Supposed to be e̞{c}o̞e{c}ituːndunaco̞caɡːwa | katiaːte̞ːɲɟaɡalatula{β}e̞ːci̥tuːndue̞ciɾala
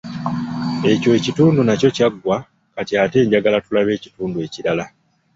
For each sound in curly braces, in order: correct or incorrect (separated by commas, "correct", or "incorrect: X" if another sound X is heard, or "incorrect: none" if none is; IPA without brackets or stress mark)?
correct, correct, correct